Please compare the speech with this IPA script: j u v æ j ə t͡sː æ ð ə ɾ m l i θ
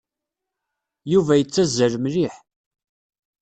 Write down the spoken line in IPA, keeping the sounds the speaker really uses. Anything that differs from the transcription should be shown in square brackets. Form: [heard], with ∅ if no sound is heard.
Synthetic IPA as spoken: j u v æ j ə t͡sː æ [z] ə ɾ m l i [ħ]